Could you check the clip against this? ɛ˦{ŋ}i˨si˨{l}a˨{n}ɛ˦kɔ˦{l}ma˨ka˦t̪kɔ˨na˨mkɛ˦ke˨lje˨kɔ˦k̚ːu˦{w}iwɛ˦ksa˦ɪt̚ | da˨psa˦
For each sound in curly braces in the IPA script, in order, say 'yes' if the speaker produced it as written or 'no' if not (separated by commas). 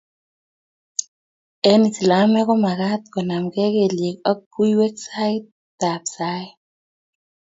no, yes, no, no, no